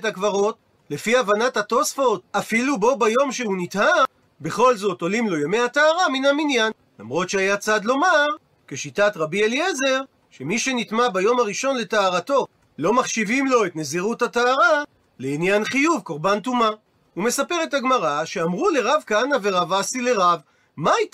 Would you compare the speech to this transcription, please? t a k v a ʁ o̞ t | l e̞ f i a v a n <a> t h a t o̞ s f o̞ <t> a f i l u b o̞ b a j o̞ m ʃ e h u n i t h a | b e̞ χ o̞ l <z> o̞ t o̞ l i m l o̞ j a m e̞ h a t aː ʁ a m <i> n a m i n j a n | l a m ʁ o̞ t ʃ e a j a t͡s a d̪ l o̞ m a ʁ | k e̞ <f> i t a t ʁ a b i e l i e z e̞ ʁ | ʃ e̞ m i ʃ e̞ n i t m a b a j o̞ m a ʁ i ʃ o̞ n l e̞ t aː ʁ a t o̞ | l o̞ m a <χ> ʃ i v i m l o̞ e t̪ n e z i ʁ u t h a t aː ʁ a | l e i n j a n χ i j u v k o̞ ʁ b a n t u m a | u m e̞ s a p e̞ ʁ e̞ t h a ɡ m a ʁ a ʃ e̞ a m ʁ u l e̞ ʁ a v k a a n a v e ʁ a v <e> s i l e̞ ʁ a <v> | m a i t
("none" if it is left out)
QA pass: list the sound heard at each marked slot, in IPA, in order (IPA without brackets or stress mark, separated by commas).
a, t, z, i, ʃ, χ, a, v